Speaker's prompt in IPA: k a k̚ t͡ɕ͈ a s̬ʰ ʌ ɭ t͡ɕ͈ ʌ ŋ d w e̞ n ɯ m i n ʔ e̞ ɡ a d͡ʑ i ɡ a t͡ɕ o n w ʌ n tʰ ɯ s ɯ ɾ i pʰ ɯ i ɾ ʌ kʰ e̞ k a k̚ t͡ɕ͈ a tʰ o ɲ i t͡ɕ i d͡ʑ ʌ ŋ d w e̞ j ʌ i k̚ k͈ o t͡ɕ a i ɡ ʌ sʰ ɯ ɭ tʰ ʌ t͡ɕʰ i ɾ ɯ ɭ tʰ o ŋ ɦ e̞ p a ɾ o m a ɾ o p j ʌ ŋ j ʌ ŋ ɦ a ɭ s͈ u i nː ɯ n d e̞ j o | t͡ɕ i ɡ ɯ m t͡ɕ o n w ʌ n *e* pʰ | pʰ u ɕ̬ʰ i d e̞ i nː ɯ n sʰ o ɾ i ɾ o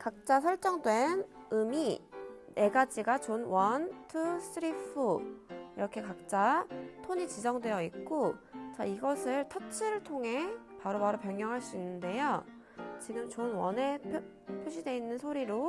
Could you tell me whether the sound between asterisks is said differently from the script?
no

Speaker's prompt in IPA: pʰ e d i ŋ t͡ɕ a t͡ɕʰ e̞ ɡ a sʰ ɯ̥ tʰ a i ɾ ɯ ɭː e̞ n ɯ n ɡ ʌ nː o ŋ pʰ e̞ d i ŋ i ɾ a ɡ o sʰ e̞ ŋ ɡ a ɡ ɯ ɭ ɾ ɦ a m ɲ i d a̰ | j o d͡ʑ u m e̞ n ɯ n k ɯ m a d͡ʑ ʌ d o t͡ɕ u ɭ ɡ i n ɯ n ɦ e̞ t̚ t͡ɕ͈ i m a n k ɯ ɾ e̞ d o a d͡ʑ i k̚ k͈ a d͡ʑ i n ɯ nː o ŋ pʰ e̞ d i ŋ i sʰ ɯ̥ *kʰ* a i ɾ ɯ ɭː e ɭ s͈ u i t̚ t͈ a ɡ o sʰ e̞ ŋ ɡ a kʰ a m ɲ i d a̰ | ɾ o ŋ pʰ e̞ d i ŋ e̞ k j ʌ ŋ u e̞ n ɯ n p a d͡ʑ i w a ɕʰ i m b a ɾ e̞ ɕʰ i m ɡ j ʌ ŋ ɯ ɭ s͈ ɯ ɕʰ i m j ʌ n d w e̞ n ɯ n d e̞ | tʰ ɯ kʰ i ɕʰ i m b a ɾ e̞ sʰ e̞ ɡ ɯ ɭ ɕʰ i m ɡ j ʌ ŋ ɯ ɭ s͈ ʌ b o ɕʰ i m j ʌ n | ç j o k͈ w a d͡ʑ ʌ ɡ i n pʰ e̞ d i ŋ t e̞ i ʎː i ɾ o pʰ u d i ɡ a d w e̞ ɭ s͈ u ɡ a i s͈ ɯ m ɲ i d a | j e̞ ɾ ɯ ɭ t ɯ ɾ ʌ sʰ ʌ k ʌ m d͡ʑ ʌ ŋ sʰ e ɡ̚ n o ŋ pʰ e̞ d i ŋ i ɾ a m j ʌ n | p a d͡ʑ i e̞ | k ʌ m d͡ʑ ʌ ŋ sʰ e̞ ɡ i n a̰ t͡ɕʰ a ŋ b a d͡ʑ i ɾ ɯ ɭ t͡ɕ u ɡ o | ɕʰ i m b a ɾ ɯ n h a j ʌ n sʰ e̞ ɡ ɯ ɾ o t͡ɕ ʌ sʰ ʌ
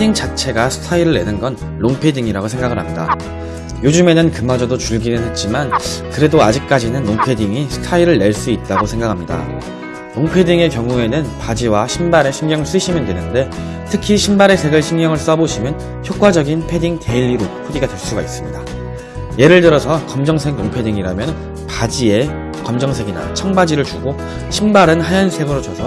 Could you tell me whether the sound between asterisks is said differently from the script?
yes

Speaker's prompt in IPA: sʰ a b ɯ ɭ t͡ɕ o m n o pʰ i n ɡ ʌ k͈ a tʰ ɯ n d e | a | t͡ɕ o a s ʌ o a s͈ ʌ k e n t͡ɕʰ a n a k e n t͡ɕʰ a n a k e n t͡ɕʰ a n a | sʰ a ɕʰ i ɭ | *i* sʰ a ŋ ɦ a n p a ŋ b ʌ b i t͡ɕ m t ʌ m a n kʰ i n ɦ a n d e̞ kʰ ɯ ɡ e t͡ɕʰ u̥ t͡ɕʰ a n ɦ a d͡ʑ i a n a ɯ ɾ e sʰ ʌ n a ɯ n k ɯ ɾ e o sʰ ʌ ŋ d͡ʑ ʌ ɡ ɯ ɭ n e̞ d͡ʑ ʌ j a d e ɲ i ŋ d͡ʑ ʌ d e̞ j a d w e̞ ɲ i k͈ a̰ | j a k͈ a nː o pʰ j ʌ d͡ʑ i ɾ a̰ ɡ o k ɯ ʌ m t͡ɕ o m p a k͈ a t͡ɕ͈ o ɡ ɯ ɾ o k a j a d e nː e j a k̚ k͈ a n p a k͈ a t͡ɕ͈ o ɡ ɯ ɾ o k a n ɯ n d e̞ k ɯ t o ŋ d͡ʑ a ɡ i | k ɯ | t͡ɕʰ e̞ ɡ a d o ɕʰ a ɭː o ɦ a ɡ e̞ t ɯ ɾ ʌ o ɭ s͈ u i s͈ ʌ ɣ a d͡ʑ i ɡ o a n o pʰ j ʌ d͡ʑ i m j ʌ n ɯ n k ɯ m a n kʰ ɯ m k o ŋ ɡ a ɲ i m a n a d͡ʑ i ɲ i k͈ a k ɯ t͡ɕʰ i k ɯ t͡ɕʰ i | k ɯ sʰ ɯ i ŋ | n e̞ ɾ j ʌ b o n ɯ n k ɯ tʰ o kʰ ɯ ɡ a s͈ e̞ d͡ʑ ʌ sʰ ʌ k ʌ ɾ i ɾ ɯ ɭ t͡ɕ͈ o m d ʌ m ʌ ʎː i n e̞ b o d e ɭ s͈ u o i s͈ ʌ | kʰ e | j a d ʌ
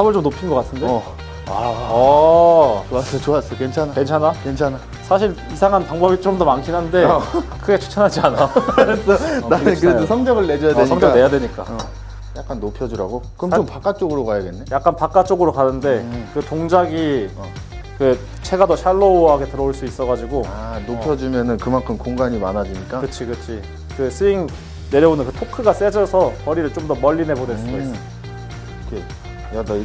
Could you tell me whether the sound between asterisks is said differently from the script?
no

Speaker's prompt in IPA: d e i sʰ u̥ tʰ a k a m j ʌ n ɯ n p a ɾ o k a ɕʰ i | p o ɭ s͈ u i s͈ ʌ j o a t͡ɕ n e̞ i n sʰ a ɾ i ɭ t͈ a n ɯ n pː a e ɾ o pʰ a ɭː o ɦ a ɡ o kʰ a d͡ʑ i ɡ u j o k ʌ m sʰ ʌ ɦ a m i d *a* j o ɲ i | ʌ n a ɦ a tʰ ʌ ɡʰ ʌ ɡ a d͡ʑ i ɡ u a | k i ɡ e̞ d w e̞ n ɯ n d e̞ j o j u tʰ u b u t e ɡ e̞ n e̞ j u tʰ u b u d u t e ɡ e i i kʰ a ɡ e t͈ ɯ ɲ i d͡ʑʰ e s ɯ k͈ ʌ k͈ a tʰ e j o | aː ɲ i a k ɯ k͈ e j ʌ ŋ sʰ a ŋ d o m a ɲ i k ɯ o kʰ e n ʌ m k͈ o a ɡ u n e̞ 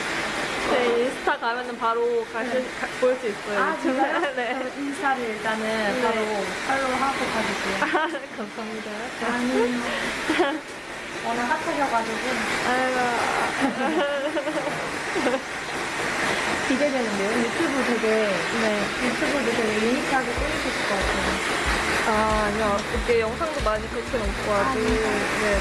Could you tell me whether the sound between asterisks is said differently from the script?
no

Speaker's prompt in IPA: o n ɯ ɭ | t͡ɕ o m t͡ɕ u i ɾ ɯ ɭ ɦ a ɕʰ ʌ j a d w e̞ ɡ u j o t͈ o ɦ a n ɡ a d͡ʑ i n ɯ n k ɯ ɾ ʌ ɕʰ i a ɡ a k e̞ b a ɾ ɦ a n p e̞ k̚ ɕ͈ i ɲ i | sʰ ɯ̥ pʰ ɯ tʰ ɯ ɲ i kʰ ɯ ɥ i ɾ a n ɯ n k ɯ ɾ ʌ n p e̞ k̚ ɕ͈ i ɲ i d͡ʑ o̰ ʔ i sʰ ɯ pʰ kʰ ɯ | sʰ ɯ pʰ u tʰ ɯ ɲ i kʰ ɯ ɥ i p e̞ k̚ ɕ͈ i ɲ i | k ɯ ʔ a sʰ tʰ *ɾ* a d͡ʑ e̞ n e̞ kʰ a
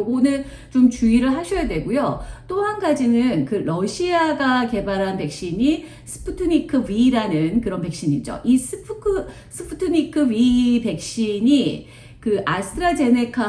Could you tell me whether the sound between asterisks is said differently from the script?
no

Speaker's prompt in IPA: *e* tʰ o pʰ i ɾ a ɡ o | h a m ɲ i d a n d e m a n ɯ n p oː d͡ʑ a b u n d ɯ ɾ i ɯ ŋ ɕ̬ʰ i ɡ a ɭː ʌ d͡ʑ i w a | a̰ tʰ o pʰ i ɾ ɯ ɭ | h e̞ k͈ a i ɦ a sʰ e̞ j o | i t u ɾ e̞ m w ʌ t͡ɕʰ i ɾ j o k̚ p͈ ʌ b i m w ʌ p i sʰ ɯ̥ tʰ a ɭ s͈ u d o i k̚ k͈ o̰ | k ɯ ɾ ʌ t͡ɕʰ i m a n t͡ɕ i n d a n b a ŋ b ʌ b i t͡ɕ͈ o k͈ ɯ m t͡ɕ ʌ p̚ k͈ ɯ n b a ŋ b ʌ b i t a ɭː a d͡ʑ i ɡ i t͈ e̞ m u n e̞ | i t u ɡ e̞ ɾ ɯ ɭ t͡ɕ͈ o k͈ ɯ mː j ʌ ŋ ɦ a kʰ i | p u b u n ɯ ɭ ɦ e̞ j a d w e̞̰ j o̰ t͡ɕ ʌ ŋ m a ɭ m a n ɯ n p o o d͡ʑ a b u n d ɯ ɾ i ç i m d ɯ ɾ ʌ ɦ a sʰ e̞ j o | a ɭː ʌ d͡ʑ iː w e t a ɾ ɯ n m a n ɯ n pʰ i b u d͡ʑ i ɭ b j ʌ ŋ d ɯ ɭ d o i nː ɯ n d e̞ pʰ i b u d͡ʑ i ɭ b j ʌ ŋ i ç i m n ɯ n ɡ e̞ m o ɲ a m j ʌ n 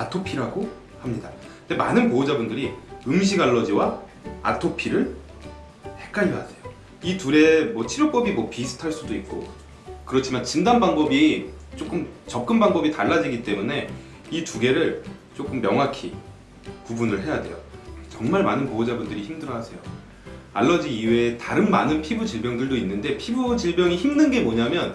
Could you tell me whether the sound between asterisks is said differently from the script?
yes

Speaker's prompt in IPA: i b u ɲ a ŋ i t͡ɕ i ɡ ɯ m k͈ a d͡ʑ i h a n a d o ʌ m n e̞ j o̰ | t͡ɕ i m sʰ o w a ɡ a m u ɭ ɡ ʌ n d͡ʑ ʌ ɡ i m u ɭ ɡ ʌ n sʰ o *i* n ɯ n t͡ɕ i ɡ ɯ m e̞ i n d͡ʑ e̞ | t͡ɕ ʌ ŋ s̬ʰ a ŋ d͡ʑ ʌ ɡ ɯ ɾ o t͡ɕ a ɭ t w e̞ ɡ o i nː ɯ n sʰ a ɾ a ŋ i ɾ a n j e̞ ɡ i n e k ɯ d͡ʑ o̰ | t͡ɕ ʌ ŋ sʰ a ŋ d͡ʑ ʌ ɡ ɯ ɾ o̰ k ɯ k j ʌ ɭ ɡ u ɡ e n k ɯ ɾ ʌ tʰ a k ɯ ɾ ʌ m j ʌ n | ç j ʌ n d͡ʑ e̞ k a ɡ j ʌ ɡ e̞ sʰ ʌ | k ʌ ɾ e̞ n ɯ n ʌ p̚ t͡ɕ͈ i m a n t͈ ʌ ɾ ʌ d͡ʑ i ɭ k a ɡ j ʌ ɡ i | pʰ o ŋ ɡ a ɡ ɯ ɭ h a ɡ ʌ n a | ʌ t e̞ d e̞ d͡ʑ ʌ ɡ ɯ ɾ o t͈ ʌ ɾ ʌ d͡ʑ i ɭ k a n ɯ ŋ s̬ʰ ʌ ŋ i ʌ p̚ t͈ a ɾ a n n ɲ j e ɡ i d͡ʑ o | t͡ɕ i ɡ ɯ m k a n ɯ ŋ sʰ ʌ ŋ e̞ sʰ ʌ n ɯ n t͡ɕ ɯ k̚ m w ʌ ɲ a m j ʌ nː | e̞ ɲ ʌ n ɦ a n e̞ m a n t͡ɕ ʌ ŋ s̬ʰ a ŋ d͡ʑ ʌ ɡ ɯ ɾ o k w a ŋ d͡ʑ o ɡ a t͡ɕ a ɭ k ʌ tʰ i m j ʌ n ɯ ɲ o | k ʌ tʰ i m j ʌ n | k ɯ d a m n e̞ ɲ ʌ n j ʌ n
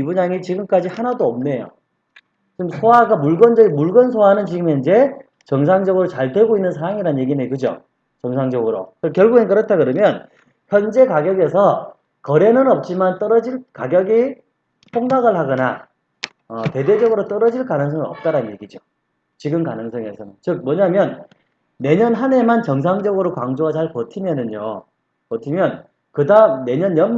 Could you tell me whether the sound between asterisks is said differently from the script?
yes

